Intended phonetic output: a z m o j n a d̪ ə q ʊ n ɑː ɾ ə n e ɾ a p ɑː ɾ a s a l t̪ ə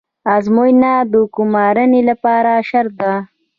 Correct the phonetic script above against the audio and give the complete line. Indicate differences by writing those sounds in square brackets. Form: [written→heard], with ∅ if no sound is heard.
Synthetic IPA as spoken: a z m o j n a d̪ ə [q→k] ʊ [n→m] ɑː ɾ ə n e [ɾ→l] a p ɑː ɾ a [s→ʃ] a [l→ɾ] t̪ [ə→a]